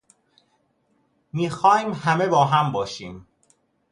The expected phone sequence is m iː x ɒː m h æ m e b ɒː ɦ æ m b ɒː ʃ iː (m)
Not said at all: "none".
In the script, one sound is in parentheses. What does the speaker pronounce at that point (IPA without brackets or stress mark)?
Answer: m